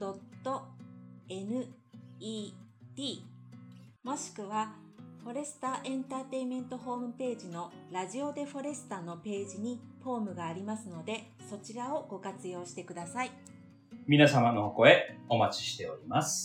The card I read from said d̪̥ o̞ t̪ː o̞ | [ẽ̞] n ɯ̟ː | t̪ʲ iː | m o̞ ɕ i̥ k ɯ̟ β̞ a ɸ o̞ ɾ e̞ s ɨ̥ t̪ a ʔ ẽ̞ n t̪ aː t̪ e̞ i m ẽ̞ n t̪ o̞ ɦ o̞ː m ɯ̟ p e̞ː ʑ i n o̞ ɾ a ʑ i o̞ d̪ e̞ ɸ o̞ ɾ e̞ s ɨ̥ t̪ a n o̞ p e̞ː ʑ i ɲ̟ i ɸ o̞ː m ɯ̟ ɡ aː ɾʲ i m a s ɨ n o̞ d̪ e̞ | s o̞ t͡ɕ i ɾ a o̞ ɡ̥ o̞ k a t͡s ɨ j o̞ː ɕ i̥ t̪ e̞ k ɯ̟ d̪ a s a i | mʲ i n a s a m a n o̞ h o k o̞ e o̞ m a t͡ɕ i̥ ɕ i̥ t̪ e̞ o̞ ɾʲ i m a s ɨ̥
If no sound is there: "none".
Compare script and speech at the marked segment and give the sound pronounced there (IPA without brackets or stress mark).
e̞